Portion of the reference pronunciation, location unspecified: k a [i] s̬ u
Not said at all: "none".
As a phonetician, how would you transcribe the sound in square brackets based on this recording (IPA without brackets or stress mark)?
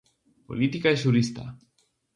e